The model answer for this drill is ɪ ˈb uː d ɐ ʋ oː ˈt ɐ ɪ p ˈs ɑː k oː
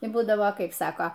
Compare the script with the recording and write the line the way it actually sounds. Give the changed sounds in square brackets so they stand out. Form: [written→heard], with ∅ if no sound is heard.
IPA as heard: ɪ ˈb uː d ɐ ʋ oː [ˈt→ˈk] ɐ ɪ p ˈs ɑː k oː